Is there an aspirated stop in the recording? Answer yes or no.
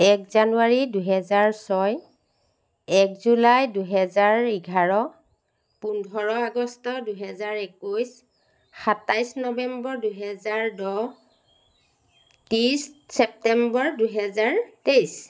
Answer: no